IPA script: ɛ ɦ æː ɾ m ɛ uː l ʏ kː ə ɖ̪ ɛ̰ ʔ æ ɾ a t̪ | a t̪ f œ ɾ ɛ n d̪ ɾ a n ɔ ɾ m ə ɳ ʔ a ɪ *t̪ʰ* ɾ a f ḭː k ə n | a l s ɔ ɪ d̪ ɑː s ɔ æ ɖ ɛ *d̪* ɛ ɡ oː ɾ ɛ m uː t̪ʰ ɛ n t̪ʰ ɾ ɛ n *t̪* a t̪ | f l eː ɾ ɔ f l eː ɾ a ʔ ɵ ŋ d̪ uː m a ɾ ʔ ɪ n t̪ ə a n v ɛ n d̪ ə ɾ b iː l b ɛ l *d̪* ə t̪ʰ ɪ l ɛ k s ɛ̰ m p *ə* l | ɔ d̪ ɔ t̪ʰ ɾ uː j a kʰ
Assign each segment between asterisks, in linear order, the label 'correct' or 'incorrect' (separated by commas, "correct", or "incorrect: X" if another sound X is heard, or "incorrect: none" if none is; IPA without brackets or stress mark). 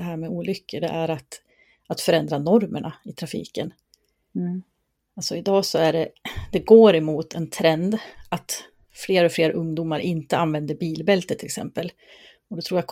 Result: correct, correct, incorrect: d̪, incorrect: t̪, correct